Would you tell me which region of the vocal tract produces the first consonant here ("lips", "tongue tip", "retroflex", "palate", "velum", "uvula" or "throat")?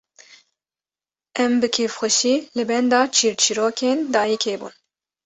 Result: lips